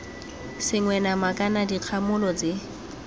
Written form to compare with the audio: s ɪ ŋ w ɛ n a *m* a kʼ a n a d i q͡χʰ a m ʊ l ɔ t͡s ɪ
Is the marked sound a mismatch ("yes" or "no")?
no